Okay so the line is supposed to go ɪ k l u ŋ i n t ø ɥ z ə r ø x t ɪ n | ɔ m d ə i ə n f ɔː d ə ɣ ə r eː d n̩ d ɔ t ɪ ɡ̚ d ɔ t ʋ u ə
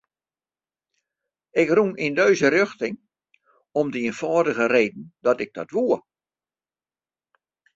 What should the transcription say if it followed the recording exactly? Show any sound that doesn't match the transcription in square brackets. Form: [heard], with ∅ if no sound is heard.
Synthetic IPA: ɪ k [r] u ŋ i n [d] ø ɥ z ə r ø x t ɪ [ŋ] | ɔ m d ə i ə n f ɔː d ə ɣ ə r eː d n̩ d ɔ t ɪ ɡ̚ d ɔ t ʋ u ə